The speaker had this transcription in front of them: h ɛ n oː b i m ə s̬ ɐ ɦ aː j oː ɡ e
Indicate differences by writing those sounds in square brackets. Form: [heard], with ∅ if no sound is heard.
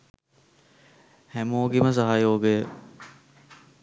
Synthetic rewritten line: h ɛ [m] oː [ɡ] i m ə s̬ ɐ ɦ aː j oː ɡ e